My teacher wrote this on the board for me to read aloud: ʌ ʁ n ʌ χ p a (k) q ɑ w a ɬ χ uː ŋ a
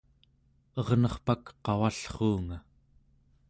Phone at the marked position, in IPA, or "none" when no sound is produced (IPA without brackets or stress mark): k